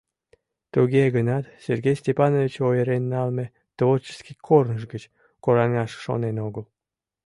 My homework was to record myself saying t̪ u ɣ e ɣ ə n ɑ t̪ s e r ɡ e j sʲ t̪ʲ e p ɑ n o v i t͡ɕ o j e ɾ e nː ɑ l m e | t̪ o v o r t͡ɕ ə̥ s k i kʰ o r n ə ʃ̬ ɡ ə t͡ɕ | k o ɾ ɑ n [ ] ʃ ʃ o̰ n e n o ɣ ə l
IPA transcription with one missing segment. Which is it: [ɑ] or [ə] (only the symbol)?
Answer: ɑ